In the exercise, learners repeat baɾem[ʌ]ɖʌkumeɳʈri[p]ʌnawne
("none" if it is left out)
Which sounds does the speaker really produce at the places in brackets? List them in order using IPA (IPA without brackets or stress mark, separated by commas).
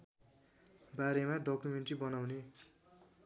a, b